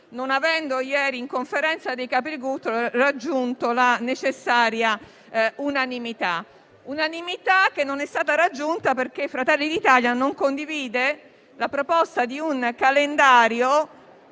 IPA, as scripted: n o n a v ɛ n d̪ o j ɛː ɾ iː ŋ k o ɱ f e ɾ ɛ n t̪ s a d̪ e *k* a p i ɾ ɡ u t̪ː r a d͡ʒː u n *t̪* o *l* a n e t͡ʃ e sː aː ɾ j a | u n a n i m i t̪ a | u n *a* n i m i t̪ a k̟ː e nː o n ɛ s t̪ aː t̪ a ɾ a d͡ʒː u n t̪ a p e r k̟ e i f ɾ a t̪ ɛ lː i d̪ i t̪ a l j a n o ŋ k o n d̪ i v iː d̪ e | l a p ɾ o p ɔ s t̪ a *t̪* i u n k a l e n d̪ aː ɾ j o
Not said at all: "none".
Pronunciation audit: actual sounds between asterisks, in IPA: k, t̪, l, a, d̪

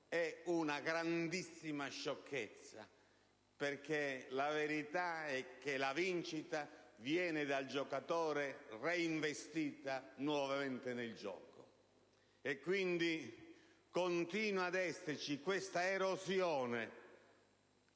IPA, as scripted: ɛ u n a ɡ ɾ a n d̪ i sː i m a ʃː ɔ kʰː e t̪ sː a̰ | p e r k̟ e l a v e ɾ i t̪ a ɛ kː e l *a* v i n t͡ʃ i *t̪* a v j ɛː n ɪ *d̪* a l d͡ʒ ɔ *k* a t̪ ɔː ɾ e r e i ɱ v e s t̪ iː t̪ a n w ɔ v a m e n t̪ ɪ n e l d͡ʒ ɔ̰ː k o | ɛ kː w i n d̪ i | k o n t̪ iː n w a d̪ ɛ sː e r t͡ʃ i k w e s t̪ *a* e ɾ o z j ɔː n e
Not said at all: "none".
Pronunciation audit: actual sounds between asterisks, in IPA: a, t̪, d̪, k, a

